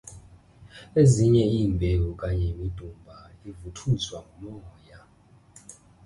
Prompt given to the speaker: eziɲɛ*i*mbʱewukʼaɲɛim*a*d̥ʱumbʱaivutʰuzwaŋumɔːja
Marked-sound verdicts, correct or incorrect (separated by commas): incorrect, incorrect